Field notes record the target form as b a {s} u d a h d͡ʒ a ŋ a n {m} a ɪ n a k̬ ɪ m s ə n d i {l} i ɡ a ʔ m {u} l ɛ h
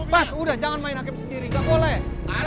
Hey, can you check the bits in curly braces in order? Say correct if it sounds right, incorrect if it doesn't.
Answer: correct, correct, incorrect: ɾ, incorrect: o

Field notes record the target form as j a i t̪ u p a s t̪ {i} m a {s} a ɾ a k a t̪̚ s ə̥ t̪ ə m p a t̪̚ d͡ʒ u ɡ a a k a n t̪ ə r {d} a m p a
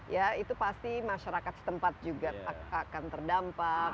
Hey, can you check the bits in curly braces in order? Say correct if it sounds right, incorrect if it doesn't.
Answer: correct, incorrect: ʃ, correct

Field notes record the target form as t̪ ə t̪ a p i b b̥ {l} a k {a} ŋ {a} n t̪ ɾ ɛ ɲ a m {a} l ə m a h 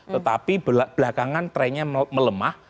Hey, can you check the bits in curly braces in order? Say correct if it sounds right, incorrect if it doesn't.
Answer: correct, correct, correct, incorrect: ə

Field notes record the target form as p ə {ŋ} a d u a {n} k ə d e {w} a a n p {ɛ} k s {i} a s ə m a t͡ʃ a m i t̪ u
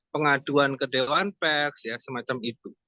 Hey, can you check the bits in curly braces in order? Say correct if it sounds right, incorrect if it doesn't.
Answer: correct, correct, correct, correct, incorrect: j

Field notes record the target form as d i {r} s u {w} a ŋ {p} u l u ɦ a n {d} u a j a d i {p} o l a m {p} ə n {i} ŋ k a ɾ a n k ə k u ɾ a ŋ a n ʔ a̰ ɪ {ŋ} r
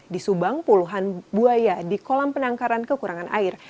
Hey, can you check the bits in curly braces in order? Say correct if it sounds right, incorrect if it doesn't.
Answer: incorrect: none, incorrect: b, correct, incorrect: b, incorrect: k, correct, incorrect: a, incorrect: none

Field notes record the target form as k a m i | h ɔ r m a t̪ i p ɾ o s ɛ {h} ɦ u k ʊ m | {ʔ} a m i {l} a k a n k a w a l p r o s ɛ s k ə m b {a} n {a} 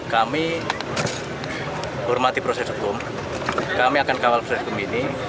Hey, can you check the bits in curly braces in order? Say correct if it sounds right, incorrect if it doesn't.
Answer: incorrect: s, incorrect: k, incorrect: none, incorrect: i, incorrect: i

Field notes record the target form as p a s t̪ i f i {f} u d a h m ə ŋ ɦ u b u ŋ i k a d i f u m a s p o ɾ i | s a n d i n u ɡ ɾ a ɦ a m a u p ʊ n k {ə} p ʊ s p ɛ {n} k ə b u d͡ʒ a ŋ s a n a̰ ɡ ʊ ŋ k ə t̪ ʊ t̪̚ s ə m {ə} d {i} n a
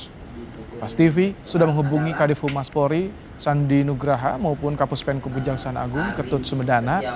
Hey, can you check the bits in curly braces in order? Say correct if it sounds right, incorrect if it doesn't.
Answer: incorrect: s, incorrect: a, correct, correct, incorrect: a

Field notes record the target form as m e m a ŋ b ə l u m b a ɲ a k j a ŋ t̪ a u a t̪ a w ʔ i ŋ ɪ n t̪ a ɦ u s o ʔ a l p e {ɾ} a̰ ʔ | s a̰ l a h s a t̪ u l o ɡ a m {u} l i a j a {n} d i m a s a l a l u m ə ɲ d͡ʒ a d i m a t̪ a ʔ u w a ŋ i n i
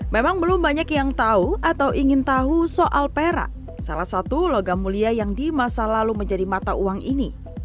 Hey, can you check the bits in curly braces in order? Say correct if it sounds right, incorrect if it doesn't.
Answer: correct, correct, incorrect: ŋ

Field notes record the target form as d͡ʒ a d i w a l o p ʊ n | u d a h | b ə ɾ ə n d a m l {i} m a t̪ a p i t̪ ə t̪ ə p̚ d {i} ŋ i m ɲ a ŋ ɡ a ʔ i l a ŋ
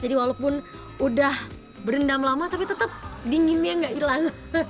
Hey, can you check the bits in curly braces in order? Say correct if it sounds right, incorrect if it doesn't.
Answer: incorrect: a, correct

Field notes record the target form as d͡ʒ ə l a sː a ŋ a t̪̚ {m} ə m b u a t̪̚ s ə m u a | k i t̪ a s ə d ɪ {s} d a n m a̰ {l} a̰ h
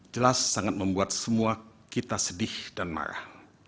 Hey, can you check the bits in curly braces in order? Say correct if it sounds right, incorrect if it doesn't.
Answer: correct, incorrect: h, incorrect: ɾ

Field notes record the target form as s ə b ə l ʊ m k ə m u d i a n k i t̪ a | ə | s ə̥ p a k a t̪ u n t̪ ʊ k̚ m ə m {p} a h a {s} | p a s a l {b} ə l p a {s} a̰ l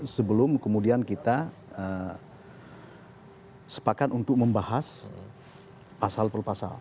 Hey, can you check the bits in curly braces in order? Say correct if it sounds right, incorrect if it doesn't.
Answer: incorrect: b, correct, incorrect: p, correct

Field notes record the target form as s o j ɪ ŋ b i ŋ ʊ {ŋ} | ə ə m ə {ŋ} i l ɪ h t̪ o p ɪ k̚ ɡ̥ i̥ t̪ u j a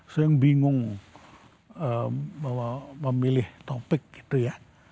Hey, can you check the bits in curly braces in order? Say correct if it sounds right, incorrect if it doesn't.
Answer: correct, incorrect: m

